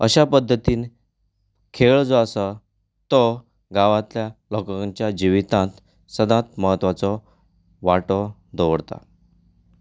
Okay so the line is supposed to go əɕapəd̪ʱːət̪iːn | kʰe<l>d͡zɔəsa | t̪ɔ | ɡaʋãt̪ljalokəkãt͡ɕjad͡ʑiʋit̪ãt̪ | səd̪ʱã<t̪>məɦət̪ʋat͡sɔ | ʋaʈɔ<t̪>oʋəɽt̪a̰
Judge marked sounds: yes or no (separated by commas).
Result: no, yes, no